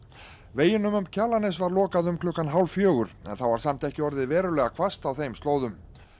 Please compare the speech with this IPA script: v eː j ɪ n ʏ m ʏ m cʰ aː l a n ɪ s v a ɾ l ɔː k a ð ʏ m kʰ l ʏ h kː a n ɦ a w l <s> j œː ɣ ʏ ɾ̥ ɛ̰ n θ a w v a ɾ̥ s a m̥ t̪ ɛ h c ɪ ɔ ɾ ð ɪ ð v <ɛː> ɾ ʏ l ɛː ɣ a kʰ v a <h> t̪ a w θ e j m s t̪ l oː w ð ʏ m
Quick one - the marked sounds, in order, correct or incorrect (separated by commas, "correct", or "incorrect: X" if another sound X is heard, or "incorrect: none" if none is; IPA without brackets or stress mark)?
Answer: incorrect: f, correct, incorrect: s